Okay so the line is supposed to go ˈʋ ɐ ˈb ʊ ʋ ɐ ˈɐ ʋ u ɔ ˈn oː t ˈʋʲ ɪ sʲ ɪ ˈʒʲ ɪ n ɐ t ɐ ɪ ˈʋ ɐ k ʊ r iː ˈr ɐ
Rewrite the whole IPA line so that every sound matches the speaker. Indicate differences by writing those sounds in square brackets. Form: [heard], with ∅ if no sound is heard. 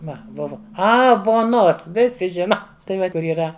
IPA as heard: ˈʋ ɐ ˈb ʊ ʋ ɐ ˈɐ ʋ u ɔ ˈn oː [s] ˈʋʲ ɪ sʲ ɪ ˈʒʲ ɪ n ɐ t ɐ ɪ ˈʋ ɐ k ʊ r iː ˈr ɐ